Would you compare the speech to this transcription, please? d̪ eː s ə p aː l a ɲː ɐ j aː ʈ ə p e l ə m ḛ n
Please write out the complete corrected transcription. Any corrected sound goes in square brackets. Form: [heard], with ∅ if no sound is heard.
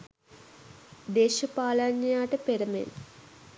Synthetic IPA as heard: d̪ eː [ʃ] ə p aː l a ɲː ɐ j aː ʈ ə p e [ɾ] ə m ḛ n